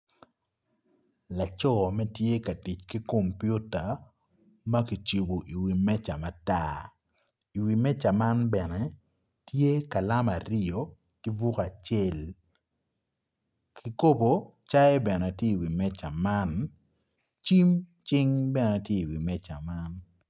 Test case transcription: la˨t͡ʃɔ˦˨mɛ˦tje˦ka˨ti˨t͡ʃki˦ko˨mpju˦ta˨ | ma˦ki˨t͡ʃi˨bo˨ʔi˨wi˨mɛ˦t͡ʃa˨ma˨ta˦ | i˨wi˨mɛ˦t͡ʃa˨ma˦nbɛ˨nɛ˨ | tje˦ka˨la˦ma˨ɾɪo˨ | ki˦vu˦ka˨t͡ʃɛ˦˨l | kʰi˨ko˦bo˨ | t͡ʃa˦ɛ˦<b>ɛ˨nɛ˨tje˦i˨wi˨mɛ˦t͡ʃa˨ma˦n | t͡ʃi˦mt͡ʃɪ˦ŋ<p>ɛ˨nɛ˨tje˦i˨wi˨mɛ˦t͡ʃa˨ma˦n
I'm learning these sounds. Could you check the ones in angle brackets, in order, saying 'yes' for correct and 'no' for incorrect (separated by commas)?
yes, no